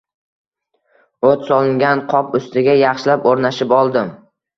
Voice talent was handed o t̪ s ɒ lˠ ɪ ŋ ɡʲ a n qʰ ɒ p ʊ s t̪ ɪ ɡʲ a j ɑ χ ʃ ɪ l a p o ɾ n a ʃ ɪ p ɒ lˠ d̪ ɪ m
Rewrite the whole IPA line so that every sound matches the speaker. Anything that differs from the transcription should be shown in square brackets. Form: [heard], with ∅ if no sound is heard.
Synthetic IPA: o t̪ s ɒ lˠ ɪ ŋ ɡʲ a n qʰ ɒ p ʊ s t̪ ɪ ɡʲ a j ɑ χ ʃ ɪ l a p o ɾ n a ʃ ɪ p ɒ lˠ d̪ ɪ m